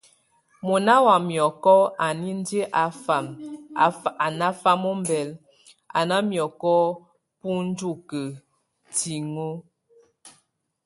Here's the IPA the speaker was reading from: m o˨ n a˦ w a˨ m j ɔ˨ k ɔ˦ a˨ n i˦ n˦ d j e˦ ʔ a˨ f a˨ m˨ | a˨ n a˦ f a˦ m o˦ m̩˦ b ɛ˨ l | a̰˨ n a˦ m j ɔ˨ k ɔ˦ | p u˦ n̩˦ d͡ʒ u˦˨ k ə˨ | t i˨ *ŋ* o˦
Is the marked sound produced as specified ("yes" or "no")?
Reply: yes